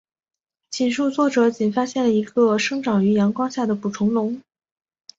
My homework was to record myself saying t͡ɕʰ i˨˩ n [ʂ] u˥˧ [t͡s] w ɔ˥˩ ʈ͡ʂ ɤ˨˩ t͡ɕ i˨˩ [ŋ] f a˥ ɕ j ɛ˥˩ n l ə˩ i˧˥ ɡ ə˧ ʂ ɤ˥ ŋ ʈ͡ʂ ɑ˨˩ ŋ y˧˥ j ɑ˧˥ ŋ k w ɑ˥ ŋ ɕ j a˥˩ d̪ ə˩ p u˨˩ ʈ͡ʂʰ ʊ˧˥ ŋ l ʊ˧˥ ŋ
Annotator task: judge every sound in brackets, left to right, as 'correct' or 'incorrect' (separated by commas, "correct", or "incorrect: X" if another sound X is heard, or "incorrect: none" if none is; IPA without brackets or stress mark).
correct, correct, incorrect: n